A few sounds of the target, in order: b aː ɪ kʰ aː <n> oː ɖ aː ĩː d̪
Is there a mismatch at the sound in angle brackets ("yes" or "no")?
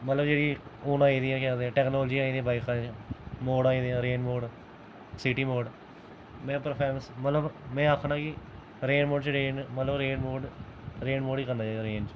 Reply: yes